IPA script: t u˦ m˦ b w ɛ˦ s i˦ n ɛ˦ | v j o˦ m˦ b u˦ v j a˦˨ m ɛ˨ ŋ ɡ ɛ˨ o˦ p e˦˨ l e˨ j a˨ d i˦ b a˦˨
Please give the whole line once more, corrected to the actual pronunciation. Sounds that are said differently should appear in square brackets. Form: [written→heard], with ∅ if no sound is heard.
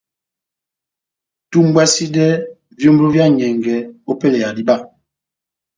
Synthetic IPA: t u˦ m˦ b w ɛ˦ s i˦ [n→d] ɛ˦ | v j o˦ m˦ b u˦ v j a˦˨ [m→ɲ] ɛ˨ ŋ ɡ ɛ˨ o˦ p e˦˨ l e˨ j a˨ d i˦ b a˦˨